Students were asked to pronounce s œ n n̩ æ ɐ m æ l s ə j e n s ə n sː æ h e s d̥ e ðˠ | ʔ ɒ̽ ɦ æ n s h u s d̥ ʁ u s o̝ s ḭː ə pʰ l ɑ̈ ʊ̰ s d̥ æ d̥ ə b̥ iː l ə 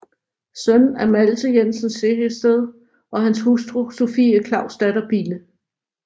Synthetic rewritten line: s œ n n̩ æ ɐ m æ l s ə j e n s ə n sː e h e s d̥ e ðˠ | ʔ ɒ̽ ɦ æ n s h u s d̥ ʁ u s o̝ f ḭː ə kʰ l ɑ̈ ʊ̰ s d̥ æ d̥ ɐ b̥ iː l ə